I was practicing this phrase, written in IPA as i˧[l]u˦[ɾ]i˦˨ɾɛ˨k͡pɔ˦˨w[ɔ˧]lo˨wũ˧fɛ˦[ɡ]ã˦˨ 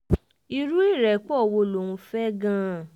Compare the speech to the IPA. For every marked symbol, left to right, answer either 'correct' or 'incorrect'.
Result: incorrect, incorrect, incorrect, correct

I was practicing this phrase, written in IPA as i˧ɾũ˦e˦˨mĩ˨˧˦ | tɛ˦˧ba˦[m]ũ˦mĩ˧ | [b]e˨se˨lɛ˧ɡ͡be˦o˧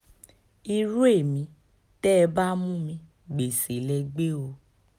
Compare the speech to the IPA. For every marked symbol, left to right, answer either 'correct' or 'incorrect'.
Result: correct, incorrect

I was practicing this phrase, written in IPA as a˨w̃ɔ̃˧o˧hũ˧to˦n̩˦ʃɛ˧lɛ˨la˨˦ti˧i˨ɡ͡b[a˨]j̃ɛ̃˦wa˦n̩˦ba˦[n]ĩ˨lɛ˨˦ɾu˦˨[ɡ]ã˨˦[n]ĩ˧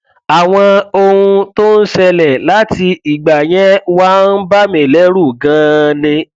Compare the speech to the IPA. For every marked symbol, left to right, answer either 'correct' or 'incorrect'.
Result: correct, incorrect, correct, correct

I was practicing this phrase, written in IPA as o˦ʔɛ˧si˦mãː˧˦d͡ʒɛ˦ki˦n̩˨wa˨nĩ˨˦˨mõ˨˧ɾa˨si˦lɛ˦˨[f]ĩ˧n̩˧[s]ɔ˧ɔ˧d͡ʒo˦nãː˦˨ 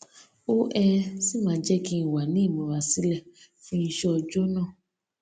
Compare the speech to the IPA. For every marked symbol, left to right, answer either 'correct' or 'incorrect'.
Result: correct, incorrect

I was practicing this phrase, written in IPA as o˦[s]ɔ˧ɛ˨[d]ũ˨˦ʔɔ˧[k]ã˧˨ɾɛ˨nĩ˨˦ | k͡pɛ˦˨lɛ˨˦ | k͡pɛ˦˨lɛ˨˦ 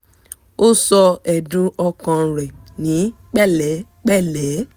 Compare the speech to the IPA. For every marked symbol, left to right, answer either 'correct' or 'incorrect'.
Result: correct, correct, correct

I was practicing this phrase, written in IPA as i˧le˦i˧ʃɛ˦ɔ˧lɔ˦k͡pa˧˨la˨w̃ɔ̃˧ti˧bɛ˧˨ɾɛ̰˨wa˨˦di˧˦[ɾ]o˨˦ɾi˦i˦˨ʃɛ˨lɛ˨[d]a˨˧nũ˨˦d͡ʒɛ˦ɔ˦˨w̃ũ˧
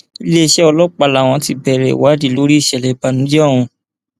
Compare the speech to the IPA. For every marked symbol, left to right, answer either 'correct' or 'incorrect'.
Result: incorrect, incorrect

